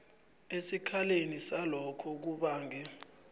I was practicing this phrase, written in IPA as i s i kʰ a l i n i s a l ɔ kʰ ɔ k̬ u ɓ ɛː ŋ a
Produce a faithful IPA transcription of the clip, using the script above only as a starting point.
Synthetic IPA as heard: e s i kʰ a l e n i s a l ɔ kʰ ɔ k̬ u ɓ aː ŋ ɛ